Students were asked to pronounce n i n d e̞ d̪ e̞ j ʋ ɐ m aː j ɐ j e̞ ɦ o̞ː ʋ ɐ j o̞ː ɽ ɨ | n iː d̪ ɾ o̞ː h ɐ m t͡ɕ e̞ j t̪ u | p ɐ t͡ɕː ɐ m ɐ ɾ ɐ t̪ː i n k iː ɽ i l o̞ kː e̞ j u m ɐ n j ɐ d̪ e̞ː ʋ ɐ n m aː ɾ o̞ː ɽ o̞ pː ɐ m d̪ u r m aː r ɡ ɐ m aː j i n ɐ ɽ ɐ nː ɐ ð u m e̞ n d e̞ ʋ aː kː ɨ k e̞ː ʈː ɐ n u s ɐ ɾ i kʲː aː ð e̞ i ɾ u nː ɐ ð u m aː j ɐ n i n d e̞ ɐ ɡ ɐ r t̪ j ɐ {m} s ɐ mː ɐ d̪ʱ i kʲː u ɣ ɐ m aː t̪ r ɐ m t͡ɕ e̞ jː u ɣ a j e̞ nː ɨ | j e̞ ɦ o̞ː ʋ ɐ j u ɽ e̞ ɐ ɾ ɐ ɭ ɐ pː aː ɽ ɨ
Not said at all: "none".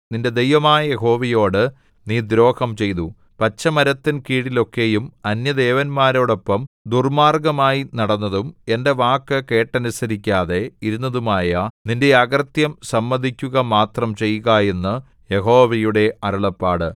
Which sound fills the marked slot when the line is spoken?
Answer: m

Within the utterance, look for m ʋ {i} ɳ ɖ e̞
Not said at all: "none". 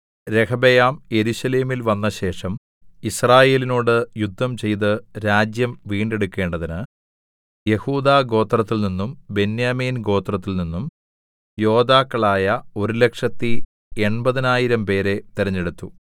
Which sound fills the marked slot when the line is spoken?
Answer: iː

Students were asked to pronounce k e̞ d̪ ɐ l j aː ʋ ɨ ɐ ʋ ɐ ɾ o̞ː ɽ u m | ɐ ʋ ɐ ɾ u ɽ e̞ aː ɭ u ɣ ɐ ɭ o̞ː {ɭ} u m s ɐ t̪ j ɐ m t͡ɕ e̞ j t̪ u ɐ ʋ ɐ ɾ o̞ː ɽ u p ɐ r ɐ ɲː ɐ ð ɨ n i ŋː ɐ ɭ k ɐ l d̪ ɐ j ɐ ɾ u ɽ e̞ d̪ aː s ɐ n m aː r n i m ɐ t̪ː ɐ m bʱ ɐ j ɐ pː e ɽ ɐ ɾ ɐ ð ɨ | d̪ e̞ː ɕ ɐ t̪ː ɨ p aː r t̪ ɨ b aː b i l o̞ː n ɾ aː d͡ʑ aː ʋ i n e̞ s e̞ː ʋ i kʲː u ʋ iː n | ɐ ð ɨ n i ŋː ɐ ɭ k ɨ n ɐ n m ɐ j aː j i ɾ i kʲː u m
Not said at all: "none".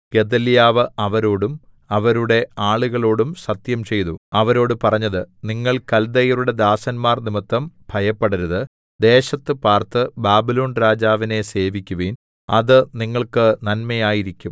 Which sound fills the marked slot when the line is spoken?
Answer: ɽ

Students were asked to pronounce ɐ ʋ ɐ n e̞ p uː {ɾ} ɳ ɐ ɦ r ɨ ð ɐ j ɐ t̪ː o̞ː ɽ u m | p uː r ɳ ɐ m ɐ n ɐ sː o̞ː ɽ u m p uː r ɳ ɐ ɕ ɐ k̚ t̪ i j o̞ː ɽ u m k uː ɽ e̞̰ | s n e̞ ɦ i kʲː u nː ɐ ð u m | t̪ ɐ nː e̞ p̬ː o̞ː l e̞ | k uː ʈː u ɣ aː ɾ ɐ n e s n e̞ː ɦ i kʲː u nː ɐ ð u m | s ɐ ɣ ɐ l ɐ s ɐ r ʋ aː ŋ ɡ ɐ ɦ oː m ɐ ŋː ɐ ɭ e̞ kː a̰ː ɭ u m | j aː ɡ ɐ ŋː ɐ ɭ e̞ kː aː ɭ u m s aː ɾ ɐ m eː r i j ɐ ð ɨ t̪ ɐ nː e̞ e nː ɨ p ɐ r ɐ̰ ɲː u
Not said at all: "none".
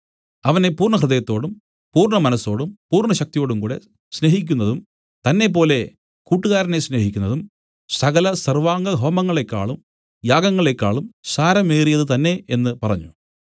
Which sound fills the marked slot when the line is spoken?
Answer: r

